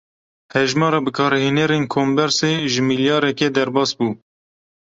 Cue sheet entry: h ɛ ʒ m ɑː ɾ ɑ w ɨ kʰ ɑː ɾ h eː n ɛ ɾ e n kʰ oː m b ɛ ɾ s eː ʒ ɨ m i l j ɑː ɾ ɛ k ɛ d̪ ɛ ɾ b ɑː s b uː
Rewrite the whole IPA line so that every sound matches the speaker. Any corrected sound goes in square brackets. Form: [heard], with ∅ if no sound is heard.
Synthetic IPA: h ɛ ʒ m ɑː ɾ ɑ [b] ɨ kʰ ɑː ɾ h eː n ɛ ɾ e n kʰ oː m b ɛ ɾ s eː ʒ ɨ m i l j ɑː ɾ ɛ k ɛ d̪ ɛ ɾ b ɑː s b uː

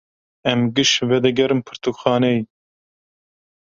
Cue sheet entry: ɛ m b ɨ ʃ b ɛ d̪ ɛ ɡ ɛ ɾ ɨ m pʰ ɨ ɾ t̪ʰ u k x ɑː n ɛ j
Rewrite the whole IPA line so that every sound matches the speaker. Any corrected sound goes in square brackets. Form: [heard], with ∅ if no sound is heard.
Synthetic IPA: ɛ m [ɡ] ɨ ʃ [v] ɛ d̪ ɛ ɡ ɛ ɾ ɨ m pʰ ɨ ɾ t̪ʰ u k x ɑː n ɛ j

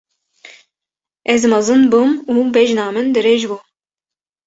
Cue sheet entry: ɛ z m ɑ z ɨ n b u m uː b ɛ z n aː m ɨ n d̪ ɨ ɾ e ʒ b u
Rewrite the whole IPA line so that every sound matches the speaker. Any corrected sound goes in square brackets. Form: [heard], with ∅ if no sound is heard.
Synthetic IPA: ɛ z m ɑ z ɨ n b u m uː b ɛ [ʒ] n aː m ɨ n d̪ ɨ ɾ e ʒ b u

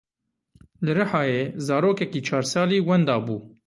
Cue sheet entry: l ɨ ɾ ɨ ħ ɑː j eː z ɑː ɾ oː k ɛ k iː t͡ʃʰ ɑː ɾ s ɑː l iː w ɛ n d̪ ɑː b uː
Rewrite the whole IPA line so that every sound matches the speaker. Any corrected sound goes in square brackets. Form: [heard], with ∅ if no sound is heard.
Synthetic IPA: l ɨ ɾ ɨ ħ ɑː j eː z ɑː ɾ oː k ɛ k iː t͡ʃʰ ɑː ɾ s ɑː l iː w ɛ n d̪ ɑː b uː

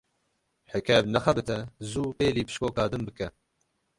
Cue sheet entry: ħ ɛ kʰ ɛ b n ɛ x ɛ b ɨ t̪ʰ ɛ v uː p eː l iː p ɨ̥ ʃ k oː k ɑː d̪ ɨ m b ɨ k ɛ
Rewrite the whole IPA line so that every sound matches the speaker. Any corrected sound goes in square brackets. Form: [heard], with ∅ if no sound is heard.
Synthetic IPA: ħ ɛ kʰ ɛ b n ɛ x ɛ b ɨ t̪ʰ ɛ [z] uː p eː l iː p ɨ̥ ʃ k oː k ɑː d̪ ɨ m b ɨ k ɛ

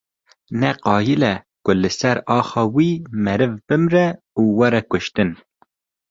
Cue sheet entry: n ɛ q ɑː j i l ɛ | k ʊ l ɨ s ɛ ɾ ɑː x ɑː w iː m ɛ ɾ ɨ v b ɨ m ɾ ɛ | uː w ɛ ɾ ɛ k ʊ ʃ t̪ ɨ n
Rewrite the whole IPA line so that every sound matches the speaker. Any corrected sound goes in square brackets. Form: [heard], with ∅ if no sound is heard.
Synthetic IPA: n ɛ q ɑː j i l ɛ | k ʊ l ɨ s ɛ ɾ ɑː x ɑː w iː m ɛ ɾ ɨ v b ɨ m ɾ ɛ | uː w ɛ ɾ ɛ k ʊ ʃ t̪ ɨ n

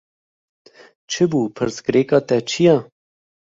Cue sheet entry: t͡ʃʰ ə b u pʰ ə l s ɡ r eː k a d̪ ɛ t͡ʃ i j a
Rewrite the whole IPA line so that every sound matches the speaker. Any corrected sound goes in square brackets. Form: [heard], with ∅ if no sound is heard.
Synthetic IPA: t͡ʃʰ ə b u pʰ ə [ɾ] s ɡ [ɾ] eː k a [t̪] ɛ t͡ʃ i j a

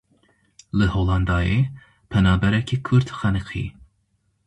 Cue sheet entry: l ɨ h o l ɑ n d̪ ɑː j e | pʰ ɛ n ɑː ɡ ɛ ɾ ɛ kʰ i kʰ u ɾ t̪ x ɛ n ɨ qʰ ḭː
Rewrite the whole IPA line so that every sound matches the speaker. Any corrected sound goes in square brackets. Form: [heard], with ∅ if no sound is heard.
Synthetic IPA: l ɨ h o l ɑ n d̪ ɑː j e | pʰ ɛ n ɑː [b] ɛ ɾ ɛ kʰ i kʰ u ɾ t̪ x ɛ n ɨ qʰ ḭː

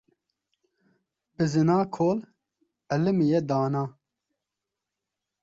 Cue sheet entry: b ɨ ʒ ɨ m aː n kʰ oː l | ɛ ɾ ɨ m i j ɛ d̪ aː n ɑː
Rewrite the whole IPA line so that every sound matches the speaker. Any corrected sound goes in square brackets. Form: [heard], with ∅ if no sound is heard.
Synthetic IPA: b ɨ [z] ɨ [n] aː [∅] kʰ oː l | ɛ [l] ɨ m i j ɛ d̪ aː n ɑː

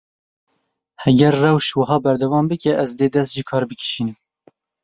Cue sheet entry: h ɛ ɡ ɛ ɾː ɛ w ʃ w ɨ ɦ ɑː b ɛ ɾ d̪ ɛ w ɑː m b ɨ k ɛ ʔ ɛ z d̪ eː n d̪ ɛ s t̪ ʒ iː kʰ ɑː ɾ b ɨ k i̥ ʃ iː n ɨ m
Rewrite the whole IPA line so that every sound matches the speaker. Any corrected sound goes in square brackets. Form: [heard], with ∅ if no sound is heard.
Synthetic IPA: h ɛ ɡ ɛ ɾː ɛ w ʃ w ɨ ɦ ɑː b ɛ ɾ d̪ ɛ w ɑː m b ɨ k ɛ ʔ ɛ z d̪ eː [∅] d̪ ɛ s t̪ ʒ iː kʰ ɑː ɾ b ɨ k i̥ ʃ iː n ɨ m

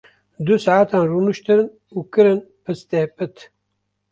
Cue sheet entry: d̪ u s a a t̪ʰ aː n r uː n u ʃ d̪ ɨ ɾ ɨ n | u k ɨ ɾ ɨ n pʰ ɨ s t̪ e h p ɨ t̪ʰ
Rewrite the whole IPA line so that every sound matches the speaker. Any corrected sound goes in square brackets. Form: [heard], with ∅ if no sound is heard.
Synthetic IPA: d̪ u s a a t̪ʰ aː n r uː n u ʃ [t̪] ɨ ɾ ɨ n | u k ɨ ɾ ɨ n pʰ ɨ s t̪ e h p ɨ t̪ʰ

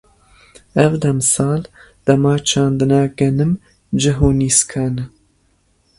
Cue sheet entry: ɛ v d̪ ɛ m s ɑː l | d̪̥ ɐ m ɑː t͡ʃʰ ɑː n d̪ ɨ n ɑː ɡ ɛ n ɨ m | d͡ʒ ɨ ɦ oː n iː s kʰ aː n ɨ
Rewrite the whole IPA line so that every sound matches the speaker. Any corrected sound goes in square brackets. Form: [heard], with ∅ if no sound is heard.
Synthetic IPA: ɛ v d̪ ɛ m s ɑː l | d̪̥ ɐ m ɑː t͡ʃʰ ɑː n d̪ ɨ n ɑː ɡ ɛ n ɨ m | d͡ʒ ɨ ɦ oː n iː s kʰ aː n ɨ

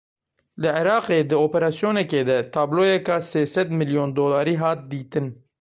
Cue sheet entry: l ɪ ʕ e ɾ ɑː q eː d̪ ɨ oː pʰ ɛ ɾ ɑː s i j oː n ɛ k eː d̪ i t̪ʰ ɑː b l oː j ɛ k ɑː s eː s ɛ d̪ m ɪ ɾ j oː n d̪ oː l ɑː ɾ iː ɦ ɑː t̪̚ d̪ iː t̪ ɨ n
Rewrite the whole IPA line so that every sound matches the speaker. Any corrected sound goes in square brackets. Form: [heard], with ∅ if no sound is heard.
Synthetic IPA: l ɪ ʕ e ɾ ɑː q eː d̪ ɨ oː [p] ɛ ɾ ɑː s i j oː n ɛ k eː d̪ [ɛ] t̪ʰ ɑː b l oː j ɛ k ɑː s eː s ɛ d̪ m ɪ [l] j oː n d̪ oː l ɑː ɾ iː ɦ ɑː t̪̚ d̪ iː t̪ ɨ n

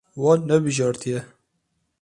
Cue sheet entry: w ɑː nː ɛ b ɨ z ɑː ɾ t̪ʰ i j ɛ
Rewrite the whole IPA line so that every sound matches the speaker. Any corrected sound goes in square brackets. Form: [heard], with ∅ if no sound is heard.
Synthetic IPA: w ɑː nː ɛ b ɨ [ʒ] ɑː ɾ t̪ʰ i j ɛ

